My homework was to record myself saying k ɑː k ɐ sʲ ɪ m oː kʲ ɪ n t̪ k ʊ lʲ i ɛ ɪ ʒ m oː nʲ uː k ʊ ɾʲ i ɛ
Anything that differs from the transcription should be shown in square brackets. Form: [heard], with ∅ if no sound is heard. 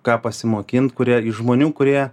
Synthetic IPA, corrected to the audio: k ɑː [p] ɐ sʲ ɪ m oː kʲ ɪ n t̪ k ʊ [ɾʲ] i ɛ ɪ ʒ m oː nʲ uː k ʊ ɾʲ i ɛ